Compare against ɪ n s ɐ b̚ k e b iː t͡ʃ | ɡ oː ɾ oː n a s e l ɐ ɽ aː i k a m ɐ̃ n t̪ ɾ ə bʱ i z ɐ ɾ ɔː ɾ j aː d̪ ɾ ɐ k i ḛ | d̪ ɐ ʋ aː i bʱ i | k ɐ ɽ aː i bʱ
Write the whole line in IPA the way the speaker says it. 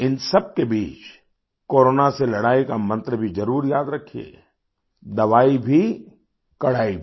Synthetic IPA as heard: ɪ n s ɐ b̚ k e b iː t͡ʃ | k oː ɾ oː n a s e l ɐ ɽ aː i k a m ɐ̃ n t̪ ɾ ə bʱ i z ɐ ɾ uː ɾ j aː d̪ ɾ ɐ kʰ i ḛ | d̪ ɐ ʋ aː i bʱ i | k ɐ ɽ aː i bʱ